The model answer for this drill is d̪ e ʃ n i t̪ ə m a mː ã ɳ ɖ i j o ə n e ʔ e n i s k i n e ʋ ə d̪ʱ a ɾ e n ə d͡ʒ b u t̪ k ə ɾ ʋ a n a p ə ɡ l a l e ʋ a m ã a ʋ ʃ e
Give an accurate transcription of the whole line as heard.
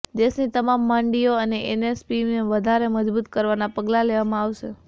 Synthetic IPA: d̪ e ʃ n i t̪ ə m a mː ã ɳ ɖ i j o ə n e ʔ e n e s p i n e ʋ ə d̪ʱ a ɾ e m ə d͡ʒ b u t̪ k ə ɾ ʋ a n a p ə ɡ l a l e ʋ a m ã a ʋ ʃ e